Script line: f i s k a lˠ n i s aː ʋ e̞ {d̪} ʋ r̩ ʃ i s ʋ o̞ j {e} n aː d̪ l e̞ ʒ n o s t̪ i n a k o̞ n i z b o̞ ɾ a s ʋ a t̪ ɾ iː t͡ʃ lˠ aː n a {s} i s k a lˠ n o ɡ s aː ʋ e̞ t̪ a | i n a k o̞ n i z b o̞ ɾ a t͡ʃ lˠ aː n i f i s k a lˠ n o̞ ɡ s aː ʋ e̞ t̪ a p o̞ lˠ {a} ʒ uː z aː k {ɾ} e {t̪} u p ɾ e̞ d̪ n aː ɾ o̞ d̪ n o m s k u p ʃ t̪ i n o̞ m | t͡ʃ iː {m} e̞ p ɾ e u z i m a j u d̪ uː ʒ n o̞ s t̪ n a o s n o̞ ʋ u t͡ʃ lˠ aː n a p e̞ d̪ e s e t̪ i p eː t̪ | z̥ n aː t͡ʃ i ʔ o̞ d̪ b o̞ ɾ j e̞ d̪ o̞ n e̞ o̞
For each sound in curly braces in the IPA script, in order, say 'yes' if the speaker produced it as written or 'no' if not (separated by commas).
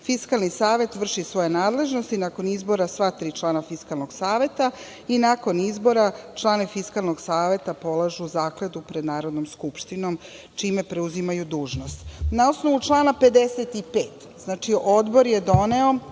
no, yes, no, yes, no, no, yes